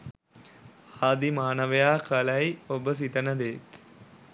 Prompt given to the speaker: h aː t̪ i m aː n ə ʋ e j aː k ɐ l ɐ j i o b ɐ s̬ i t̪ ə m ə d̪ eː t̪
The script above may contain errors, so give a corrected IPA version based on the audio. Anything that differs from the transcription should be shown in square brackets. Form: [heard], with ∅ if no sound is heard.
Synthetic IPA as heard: h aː [d̪] i m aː n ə ʋ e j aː k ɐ l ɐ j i o b [ə] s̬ i t̪ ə [n] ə d̪ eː t̪